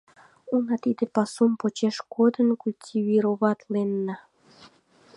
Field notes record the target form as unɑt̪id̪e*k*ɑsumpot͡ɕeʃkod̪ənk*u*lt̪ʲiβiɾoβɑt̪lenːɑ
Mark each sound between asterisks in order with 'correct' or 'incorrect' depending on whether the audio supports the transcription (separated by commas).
incorrect, correct